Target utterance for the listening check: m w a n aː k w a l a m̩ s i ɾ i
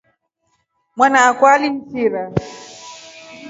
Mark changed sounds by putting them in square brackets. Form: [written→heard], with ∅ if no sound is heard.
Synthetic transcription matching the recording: m w a n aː k w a l [a→i] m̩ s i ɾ [i→a]